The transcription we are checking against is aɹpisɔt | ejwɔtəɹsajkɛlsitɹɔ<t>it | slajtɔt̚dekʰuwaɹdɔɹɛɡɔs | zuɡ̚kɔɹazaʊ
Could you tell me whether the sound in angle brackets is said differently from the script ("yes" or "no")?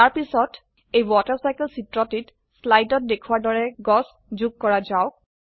no